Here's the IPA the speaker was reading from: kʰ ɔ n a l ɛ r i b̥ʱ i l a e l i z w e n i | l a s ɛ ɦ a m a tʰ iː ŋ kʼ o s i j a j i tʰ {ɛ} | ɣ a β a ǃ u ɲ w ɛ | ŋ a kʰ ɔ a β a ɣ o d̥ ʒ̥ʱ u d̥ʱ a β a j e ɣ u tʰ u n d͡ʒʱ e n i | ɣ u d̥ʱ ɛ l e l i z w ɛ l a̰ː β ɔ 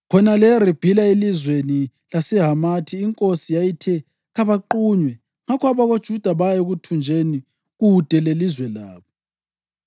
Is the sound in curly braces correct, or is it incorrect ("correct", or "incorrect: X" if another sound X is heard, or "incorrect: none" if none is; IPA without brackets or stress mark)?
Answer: correct